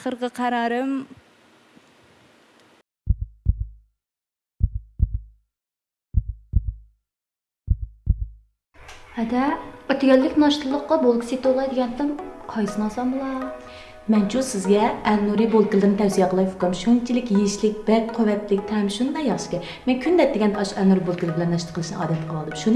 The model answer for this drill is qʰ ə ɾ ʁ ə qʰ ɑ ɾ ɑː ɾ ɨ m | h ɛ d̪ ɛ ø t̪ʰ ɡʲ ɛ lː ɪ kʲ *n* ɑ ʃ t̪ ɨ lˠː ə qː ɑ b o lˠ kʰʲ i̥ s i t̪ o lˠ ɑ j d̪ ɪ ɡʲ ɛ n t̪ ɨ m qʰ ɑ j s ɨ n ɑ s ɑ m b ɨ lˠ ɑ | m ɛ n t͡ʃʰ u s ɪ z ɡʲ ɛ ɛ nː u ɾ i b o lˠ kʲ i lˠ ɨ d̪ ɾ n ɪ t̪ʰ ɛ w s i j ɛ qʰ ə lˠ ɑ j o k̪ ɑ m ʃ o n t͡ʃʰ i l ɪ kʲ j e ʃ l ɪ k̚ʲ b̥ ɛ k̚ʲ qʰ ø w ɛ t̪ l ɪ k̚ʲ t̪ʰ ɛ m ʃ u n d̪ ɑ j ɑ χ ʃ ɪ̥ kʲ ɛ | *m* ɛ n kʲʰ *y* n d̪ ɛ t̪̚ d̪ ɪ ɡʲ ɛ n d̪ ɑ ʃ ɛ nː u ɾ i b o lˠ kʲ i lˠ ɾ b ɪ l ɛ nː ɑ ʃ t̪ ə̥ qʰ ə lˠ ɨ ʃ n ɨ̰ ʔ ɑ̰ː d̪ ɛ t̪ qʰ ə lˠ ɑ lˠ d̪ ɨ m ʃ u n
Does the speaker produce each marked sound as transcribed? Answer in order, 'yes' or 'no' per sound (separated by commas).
yes, yes, yes